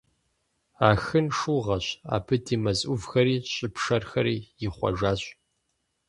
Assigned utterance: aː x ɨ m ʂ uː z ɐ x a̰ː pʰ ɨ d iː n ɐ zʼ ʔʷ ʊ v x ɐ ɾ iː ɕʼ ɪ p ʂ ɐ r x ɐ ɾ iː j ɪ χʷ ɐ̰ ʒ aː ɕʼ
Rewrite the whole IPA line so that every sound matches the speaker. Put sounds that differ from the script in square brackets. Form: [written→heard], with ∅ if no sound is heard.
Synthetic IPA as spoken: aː x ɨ [m→n] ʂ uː [z→ʁ] ɐ [x→ɕ] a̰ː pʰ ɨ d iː [n→m] ɐ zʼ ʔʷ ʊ v x ɐ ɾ iː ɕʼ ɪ p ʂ ɐ r x ɐ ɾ iː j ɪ χʷ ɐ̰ ʒ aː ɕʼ

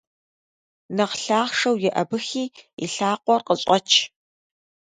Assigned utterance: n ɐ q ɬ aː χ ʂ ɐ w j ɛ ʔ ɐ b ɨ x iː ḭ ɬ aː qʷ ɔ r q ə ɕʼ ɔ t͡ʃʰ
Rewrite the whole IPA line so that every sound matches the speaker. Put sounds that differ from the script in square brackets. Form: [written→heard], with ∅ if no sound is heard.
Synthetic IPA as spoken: n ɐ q ɬ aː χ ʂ ɐ w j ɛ ʔ ɐ b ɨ x iː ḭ ɬ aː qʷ ɔ r q ə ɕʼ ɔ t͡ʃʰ

